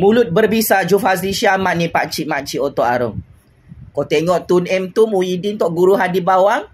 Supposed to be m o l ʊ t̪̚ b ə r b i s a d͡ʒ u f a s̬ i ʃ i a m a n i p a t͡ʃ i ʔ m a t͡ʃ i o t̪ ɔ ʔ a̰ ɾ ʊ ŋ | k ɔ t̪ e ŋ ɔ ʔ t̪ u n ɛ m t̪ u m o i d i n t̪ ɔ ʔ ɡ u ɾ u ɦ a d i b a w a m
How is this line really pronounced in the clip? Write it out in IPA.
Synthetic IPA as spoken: m u l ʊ t̪̚ b ə r b i s a d͡ʒ u f a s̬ i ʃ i a m a n i p a t͡ʃ i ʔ m a t͡ʃ i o t̪ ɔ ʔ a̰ ɾ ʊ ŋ | k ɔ t̪ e ŋ ɔ ʔ t̪ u n ɛ m t̪ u m u i d i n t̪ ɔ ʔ ɡ u ɾ u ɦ a d i b a w a ŋ